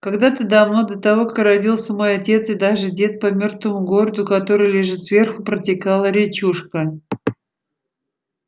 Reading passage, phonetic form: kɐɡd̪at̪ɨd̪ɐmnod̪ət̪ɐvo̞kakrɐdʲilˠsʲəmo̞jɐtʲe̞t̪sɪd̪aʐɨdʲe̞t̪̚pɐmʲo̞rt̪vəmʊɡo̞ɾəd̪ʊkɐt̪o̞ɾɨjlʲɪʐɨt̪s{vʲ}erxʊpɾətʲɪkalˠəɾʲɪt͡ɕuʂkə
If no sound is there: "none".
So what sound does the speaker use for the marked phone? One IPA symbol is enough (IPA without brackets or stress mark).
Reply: vʲ